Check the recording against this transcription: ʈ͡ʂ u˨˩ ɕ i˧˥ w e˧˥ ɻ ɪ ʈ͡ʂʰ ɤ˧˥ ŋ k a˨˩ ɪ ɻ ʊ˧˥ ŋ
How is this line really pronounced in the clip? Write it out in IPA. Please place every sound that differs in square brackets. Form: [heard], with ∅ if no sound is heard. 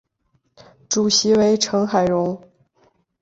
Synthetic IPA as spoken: ʈ͡ʂ u˨˩ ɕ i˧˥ w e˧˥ [∅] ɪ ʈ͡ʂʰ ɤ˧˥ ŋ [x] a˨˩ ɪ ɻ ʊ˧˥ ŋ